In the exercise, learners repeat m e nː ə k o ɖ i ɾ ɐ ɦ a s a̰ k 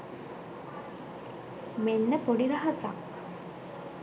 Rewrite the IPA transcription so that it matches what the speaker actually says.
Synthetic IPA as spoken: m e nː ə p o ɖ i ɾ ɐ ɦ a s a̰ k